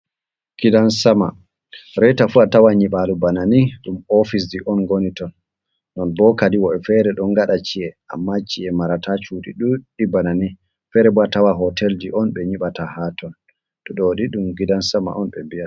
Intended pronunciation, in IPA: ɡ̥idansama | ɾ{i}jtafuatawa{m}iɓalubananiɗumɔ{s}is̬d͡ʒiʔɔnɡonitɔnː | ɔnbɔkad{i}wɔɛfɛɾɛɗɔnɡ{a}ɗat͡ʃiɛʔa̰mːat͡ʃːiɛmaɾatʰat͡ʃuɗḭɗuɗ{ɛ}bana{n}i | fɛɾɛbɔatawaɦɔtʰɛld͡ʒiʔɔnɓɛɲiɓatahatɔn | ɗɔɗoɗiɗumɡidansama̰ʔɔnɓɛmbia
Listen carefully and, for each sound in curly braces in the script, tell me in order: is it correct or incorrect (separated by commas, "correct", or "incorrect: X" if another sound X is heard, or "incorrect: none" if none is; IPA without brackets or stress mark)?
incorrect: ɛ, incorrect: ɲ, incorrect: f, correct, correct, incorrect: i, correct